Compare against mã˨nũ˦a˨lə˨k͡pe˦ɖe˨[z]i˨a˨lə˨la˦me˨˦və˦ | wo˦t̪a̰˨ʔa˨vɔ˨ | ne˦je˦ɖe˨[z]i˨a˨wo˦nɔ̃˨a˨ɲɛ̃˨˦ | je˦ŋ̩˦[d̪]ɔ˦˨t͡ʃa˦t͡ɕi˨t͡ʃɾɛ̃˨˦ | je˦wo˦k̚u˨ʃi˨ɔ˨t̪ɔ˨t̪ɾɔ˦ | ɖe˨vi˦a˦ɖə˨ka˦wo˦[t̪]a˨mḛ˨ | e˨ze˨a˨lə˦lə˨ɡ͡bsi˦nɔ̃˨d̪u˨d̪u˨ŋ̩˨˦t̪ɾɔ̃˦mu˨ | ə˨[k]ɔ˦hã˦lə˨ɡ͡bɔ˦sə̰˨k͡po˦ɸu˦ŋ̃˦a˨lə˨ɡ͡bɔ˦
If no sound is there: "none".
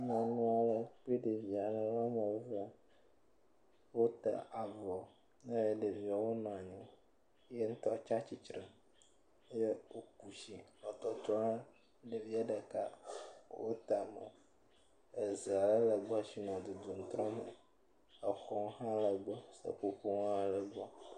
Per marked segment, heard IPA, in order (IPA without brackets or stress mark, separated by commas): v, v, t̪, t̪, x